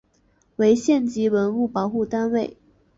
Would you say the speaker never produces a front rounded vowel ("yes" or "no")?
yes